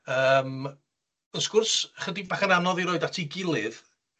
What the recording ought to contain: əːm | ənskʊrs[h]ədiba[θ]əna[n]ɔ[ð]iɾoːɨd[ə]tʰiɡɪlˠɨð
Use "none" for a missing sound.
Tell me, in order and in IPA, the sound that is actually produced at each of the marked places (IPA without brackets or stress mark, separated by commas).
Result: χ, χ, n, ð, a